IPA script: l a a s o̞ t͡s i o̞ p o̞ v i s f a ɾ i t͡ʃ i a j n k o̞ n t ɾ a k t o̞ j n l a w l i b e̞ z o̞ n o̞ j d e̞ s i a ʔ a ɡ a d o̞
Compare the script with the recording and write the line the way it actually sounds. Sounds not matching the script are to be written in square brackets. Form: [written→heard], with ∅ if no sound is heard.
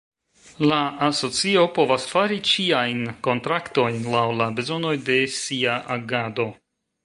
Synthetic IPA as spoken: l a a s o̞ t͡s i o̞ p o̞ v [i→a] s f a ɾ i t͡ʃ i a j n k o̞ n t ɾ a k t o̞ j n l a w l [i→a] b e̞ z o̞ n o̞ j d e̞ s i a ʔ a ɡ a d o̞